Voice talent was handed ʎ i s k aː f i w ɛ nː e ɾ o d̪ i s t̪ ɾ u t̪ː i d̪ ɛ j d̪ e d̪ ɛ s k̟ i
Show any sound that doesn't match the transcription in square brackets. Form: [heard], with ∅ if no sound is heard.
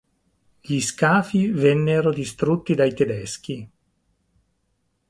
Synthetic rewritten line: ʎ i s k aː f i [v] ɛ nː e ɾ o d̪ i s t̪ ɾ u t̪ː i d̪ [a] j [t̪] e d̪ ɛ s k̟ i

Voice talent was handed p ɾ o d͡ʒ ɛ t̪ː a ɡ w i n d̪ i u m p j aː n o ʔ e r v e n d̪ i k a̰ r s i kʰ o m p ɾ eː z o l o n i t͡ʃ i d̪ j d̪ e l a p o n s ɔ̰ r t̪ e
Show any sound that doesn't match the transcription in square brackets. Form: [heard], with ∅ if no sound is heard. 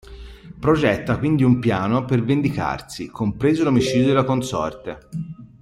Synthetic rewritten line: p ɾ o d͡ʒ ɛ t̪ː a [k] w i n d̪ i u m p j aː n o [p] e r v e n d̪ i k a̰ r s i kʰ o m p ɾ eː z o l o [m] i t͡ʃ i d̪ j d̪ e l a [k] o n s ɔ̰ r t̪ e

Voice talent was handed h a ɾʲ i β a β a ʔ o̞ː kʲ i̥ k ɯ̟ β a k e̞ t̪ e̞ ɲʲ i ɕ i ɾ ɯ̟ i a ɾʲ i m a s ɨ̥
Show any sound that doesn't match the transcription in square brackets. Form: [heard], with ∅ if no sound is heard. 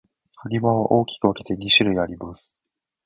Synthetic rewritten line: h a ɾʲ i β a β a ʔ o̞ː kʲ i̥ k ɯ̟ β a k e̞ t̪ e̞ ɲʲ i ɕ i ɾ ɯ̟ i a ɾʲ i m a s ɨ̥

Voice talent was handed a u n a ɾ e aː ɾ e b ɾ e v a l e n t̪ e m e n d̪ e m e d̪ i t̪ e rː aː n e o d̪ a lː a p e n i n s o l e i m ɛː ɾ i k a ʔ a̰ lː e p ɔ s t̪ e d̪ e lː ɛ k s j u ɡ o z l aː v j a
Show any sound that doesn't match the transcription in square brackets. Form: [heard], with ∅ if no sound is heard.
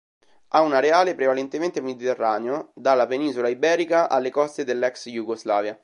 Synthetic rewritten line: a u n a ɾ e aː [l] e [p] ɾ e v a l e n t̪ e m e n [t̪] e m e d̪ i t̪ e rː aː n e o d̪ a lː a p e n i n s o l [a] i [b] ɛː ɾ i k a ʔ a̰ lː e [k] ɔ s t̪ e d̪ e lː ɛ k s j u ɡ o z l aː v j a

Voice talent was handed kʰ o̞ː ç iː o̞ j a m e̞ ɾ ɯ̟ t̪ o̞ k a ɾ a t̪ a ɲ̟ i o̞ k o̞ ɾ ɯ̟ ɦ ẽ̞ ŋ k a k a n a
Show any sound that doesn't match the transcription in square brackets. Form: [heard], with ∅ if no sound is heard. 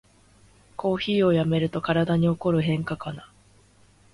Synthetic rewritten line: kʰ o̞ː ç iː o̞ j a m e̞ ɾ ɯ̟ t̪ o̞ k a ɾ a [d̪] a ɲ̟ i o̞ k o̞ ɾ ɯ̟ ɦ ẽ̞ ŋ k a k a n a

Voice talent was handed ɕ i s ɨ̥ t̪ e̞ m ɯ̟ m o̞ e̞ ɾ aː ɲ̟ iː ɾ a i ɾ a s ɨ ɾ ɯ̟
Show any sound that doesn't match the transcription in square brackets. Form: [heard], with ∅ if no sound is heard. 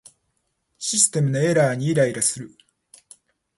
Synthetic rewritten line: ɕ i s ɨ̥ t̪ e̞ m ɯ̟ [n] o̞ e̞ ɾ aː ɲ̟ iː ɾ a i ɾ a s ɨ ɾ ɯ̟

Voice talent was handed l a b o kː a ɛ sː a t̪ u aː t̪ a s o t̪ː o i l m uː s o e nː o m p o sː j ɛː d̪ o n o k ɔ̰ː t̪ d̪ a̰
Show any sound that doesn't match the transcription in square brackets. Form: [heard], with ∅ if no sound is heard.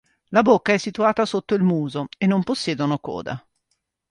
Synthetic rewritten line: l a b o kː a ɛ sː [i] t̪ u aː t̪ a s o t̪ː o i l m uː [z] o e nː o m p o sː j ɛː d̪ o n o k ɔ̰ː [∅] d̪ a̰

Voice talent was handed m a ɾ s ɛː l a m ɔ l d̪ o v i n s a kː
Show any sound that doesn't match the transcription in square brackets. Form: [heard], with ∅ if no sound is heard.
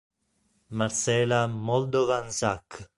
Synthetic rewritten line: m a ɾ s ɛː l a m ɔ l d̪ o v [a] n s a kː

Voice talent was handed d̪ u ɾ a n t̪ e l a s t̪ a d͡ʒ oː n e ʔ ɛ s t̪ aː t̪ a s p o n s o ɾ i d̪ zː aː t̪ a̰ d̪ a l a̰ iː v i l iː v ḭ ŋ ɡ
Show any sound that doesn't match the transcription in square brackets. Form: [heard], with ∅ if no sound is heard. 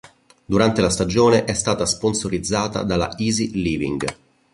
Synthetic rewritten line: d̪ u ɾ a n t̪ e l a s t̪ a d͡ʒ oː n e ʔ ɛ s t̪ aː t̪ a s p o n s o ɾ i d̪ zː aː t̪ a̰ d̪ a l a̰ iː [z] i l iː v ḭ ŋ ɡ

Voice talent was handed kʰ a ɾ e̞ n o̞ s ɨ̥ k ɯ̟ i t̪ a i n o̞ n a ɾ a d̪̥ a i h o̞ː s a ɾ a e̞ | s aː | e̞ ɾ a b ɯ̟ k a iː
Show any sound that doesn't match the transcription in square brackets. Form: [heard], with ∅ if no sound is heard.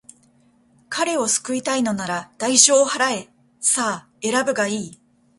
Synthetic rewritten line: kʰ a ɾ e̞ [∅] o̞ s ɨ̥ k ɯ̟ i t̪ a i n o̞ n a ɾ a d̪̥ a i [ɕ] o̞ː [h] a ɾ a e̞ | s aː | e̞ ɾ a b ɯ̟ [ɡ] a iː

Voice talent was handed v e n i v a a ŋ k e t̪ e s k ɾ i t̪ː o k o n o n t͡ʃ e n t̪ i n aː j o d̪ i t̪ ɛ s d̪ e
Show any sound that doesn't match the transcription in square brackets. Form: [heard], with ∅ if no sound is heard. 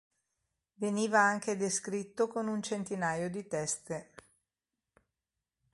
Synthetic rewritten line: v e n [iː] v a a ŋ k e [d̪] e s k ɾ i t̪ː o k o n [u] n t͡ʃ e n t̪ i n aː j o d̪ i t̪ ɛ s [t̪] e

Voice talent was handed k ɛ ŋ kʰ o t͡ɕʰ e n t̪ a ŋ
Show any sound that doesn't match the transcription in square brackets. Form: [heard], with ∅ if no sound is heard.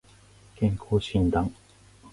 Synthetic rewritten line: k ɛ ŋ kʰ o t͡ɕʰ [i] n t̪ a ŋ

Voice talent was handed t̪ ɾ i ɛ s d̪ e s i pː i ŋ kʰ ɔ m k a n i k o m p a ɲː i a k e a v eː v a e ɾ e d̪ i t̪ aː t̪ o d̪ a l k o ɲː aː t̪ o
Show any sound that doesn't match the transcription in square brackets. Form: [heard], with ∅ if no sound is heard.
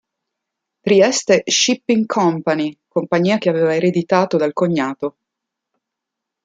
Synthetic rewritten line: t̪ ɾ i ɛ s [t̪] e [ʃ] i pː i ŋ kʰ ɔ m [p] a n i k o m p a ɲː [iː] a k e a v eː v a e ɾ e d̪ i t̪ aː t̪ o d̪ a l k o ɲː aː t̪ o

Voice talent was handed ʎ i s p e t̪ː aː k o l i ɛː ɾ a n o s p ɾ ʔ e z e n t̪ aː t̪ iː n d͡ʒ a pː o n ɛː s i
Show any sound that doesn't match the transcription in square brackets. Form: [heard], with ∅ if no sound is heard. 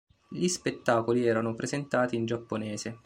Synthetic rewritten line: ʎ i s p e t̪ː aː k o l i ɛː ɾ a n o [∅] p ɾ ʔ e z e n t̪ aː t̪ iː n d͡ʒ a pː o n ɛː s [e]

